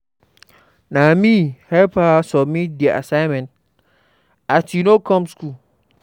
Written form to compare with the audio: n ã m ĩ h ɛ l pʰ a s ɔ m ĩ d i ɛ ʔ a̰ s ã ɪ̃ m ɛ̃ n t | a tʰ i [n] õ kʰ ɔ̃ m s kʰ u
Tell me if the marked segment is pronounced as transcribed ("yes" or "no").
yes